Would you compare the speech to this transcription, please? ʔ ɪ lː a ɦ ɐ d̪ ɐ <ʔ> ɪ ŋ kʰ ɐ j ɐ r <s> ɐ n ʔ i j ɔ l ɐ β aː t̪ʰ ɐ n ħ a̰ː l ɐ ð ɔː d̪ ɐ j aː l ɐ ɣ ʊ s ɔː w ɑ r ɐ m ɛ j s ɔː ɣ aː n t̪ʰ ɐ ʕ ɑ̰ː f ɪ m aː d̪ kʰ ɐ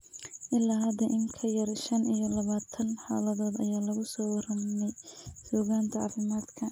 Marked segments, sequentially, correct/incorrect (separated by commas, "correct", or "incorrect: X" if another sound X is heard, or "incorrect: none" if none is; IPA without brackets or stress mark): correct, incorrect: ʃ